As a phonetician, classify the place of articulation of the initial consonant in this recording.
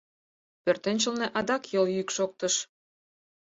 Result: labial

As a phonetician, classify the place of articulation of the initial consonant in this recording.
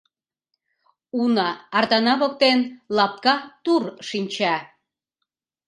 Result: alveolar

